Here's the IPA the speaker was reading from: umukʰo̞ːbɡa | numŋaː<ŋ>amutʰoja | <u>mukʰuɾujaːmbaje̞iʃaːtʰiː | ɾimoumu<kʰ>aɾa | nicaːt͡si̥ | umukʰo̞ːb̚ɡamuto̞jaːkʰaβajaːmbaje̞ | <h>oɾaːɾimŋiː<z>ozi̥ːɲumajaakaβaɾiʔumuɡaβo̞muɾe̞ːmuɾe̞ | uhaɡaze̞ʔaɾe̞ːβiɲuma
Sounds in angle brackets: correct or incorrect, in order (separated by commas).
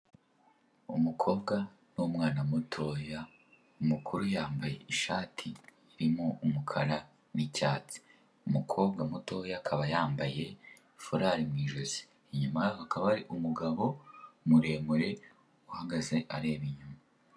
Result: incorrect, correct, correct, incorrect, incorrect